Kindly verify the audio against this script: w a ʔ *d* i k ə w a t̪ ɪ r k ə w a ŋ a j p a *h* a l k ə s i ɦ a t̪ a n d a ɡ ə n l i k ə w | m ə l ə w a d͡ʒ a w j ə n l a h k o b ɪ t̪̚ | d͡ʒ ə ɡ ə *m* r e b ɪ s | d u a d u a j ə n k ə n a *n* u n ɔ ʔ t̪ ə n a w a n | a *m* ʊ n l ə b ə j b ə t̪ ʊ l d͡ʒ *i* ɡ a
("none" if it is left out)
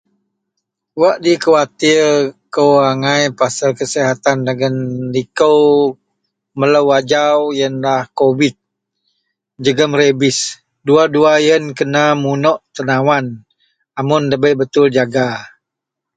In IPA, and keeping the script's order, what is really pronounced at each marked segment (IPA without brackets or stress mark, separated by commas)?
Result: d, s, m, m, m, a